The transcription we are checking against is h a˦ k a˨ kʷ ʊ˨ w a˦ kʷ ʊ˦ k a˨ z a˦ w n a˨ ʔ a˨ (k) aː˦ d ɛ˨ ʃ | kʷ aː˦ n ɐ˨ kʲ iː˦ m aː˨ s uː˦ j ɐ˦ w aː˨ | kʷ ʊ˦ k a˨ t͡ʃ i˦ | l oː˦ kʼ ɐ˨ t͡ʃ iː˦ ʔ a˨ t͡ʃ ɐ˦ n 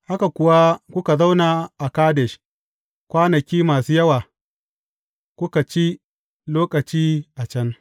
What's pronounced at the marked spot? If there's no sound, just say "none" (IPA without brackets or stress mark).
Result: k